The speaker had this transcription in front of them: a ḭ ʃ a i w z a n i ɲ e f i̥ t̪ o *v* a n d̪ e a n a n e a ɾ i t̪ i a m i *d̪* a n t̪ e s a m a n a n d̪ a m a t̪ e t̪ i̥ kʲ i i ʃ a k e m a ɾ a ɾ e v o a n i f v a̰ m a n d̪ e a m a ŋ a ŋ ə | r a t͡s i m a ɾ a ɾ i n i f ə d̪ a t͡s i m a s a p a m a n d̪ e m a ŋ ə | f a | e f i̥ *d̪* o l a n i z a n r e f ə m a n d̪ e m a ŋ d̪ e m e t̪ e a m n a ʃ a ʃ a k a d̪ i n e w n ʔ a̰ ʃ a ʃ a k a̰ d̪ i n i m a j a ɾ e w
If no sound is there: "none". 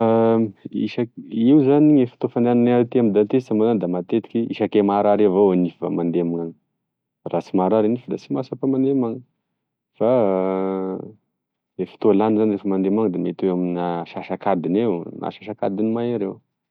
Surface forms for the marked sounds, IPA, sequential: f, d̪, t̪

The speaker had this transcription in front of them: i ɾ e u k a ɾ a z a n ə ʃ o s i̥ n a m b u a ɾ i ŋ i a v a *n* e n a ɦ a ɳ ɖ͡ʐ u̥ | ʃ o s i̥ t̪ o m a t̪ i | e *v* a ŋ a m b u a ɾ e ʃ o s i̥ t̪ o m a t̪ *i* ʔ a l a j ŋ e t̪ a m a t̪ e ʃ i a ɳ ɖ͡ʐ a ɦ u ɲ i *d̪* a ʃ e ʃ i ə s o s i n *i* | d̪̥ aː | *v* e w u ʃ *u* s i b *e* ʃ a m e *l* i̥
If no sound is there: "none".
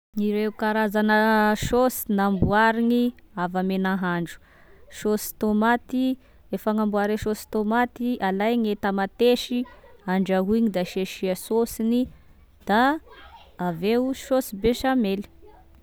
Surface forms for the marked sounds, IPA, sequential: m, f, i, d̪, i, v, o, e, l

